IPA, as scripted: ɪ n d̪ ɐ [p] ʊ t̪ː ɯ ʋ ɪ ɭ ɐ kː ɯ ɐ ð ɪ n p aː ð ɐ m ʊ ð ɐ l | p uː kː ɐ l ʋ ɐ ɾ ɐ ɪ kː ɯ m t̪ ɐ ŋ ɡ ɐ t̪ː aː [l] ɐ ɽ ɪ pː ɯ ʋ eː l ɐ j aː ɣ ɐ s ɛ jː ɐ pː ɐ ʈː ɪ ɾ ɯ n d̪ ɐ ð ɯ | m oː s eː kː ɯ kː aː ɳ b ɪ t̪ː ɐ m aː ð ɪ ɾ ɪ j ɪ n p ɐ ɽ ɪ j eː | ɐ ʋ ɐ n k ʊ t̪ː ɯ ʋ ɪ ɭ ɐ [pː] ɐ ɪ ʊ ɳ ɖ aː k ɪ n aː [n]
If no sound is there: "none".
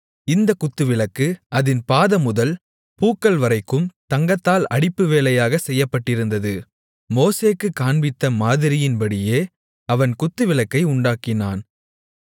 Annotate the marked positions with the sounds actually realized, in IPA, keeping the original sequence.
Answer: k, l, kː, n

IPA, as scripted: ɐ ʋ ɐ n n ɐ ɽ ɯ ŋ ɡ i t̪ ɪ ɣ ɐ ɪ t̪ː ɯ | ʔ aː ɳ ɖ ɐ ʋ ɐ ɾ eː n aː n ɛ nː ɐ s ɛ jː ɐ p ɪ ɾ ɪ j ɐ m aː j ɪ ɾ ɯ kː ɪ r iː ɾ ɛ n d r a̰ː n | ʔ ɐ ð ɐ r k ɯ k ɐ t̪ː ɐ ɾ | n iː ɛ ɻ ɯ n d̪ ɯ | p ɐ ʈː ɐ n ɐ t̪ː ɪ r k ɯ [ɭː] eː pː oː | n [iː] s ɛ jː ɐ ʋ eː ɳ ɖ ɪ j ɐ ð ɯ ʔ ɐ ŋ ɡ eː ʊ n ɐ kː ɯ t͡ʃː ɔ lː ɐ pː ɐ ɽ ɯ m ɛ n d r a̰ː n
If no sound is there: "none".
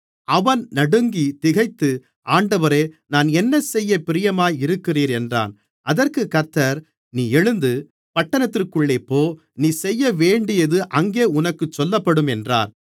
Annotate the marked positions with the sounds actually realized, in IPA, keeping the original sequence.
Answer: ɭː, iː

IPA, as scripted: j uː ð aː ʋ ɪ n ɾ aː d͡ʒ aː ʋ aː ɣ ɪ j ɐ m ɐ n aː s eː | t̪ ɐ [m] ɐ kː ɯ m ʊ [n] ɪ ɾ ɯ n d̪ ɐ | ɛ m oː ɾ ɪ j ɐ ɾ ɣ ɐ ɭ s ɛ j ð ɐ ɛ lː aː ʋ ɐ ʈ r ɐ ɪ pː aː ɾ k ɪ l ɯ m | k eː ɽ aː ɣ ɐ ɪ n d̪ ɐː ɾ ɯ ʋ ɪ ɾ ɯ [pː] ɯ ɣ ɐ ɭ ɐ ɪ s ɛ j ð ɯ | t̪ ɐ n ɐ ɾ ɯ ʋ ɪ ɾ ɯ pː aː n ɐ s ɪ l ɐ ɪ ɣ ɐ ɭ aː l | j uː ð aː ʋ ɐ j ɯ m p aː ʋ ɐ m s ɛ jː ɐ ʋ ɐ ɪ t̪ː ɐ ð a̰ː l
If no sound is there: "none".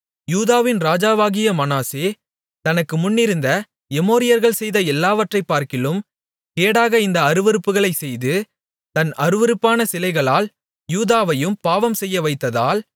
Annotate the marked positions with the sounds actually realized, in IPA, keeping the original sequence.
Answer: n, nː, pː

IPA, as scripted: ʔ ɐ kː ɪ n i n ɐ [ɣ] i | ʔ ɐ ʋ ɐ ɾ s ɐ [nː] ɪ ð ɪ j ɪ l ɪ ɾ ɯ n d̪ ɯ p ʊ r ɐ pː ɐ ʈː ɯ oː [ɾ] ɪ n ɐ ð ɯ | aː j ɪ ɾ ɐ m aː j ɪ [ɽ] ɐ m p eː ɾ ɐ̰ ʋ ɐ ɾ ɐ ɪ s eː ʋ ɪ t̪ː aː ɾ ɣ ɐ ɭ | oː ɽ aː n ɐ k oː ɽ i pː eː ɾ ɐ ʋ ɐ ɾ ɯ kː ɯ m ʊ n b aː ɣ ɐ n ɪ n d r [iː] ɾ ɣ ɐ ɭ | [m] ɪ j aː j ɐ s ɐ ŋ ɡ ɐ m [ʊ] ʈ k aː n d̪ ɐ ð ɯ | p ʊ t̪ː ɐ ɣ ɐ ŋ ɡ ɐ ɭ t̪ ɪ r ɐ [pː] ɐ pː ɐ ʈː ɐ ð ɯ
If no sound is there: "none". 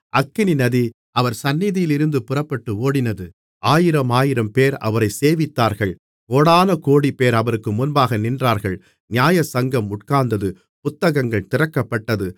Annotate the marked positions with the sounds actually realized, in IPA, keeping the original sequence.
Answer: ð, nː, ɽ, ɾ, aː, n, ʊ, kː

